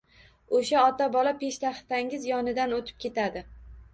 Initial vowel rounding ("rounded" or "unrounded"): rounded